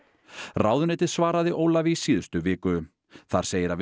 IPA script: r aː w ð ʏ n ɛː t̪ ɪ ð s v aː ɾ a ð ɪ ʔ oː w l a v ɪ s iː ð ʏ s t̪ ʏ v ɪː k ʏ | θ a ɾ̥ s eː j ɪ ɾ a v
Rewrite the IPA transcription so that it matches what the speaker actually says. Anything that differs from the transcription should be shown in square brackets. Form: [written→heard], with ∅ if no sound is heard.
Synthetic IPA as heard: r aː w ð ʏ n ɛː t̪ ɪ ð s v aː ɾ a ð ɪ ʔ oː w l a v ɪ s iː ð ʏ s t̪ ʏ v ɪː k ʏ | θ a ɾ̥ s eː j ɪ ɾ a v